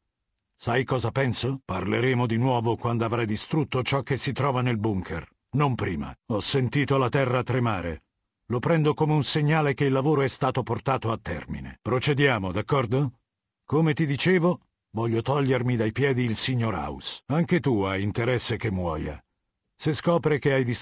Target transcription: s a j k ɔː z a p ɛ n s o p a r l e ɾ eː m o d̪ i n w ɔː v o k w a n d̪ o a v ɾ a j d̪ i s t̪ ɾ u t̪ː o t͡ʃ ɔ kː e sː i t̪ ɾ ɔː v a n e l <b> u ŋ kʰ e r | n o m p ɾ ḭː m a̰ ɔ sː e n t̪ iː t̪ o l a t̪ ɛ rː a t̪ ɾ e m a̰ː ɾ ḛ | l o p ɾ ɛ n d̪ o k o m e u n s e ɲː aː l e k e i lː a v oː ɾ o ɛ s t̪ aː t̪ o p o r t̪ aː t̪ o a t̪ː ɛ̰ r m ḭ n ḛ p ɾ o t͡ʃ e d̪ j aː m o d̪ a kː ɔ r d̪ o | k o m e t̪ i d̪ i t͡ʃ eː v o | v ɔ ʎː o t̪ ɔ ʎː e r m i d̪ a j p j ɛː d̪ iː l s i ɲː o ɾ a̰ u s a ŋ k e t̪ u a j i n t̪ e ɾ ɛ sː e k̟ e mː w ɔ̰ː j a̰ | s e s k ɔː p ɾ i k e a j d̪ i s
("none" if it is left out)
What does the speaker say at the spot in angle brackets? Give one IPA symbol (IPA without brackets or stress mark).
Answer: b